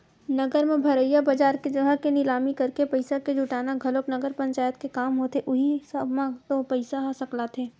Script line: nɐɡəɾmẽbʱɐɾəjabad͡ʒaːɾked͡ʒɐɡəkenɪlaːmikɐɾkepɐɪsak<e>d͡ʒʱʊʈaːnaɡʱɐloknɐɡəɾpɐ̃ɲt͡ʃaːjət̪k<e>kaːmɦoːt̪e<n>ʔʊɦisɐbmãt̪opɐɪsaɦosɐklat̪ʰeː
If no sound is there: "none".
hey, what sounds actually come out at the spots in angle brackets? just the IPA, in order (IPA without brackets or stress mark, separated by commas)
e, e, none